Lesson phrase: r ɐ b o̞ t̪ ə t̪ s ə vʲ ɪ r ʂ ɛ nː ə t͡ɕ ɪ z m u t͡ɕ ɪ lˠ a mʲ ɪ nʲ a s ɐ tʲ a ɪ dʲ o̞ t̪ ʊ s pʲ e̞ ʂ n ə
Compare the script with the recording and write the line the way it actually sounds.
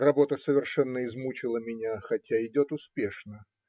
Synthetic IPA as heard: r ɐ b o̞ t̪ ə s ə vʲ ɪ r ʂ ɛ nː ə ɪ z m u t͡ɕ ɪ lˠ ə mʲ ɪ nʲ a x ɐ tʲ a ɪ dʲ o̞ t̪ ʊ s pʲ e̞ ʂ n ə

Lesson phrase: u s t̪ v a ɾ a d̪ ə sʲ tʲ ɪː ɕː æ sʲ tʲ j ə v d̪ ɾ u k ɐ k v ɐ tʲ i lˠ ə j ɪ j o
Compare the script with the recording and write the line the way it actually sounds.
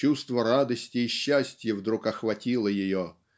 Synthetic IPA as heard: u s t̪ v ə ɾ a d̪ ə sʲ tʲ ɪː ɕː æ sʲ tʲ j ə v d̪ ɾ u k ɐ x v ɐ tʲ i lˠ ə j ɪ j o

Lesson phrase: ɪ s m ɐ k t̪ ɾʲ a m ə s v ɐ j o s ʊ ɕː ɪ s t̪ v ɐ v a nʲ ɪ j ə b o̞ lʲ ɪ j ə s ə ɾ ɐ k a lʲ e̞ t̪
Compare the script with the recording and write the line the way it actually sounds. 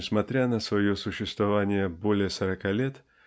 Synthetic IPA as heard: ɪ s m ɐ t̪ ɾʲ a n ə s v ɐ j o s ʊ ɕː ɪ s t̪ v ɐ v a nʲ ɪ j ə b o̞ lʲ ɪ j ə s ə ɾ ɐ k a lʲ e̞ t̪

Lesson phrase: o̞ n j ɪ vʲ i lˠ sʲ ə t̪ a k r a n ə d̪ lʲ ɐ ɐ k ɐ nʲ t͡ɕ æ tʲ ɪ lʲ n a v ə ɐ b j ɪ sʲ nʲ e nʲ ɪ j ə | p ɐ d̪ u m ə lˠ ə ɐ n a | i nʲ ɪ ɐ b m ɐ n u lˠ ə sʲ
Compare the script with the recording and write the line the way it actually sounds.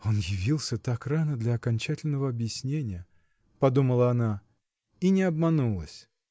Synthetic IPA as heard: o̞ n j ɪ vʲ i lˠ sʲ ə t̪ a k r a n ə d̪ lʲ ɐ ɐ k ɐ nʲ t͡ɕ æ tʲ ɪ lʲ n ə v ə ɐ b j ɪ sʲ nʲ e nʲ ɪ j ə | p ɐ d̪ u m ə lˠ ə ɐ n a | i nʲ ɪ ɐ b m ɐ n u lˠ ə sʲ

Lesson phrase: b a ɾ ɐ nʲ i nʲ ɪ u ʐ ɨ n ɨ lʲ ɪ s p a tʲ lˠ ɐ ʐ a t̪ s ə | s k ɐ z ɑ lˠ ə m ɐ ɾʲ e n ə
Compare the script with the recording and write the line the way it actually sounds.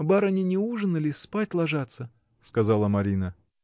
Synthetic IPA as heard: b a ɾ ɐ nʲ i nʲ ɪ u ʐ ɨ n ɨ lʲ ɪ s p a tʲ lˠ ɐ ʐ a t̪ s ə | s k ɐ z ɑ lˠ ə m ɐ ɾʲ i n ə

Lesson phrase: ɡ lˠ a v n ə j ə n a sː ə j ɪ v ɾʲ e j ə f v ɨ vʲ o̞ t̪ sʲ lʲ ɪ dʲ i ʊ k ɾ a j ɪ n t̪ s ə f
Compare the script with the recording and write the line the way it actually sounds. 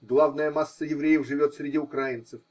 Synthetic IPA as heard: ɡ lˠ a v n ə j ə m a sː ə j ɪ v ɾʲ e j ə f ʐ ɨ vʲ o̞ t̪ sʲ ɾʲ ɪ dʲ i ʊ k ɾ a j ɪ n t̪ s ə f

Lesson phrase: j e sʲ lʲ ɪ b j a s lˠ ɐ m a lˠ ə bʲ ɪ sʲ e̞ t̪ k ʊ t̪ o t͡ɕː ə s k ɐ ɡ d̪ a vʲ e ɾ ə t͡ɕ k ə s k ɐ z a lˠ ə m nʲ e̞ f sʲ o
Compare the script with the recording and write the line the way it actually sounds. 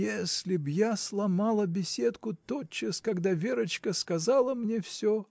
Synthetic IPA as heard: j e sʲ lʲ ɪ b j a s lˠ ɐ m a lˠ ə bʲ ɪ sʲ e̞ t̪ k ʊ t̪ o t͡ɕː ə s k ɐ ɡ d̪ a vʲ e ɾ ə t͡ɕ k ə s k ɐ z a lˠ ə m nʲ e̞ f sʲ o

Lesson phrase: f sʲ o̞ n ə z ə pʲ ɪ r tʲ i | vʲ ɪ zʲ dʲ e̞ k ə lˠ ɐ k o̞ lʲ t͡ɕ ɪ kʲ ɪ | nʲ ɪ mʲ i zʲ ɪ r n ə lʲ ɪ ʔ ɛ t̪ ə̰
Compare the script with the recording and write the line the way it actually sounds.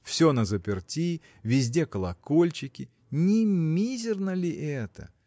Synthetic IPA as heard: f sʲ o̞ n ə z ə pʲ ɪ r tʲ i | vʲ ɪ zʲ dʲ e̞ k ə lˠ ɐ k o̞ lʲ t͡ɕ ɪ kʲ ɪ | nʲ ɪ mʲ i zʲ ɪ r n ə lʲ ɪ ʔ ɛ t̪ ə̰

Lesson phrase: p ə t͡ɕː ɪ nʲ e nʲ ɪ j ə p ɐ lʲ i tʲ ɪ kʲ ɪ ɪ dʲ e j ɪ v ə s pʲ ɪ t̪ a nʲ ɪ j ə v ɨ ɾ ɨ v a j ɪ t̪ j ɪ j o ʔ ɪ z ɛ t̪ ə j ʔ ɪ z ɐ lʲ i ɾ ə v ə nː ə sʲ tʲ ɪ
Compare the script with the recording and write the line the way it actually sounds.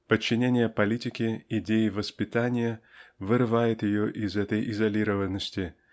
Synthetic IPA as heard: p ə t͡ɕː ɪ nʲ e nʲ ɪ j ə p ɐ lʲ i tʲ ɪ kʲ ɪ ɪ dʲ e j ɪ v ə s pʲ ɪ t̪ a nʲ ɪ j ə v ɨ ɾ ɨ v a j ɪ t̪ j ɪ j o ʔ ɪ z ɛ t̪ ə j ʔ ɪ z ɐ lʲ i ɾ ə v ə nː ə sʲ tʲ ɪ

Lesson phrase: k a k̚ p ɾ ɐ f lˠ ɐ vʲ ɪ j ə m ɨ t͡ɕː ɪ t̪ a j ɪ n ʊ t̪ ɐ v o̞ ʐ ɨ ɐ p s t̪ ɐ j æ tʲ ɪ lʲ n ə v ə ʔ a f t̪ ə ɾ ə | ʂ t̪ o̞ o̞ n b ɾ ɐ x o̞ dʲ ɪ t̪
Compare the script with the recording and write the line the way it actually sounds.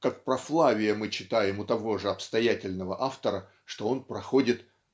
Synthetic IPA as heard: k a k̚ p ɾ ɐ f lˠ a vʲ ɪ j ə m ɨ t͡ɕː ɪ t̪ a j ɪ m ʊ t̪ ɐ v o̞ ʐ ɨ ɐ p s t̪ ɐ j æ tʲ ɪ lʲ n ə v ə ʔ a f t̪ ə ɾ ə | ʂ t̪ o̞ o̞ n p ɾ ɐ x o̞ dʲ ɪ t̪

